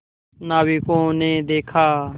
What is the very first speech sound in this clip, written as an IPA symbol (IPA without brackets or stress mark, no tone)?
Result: n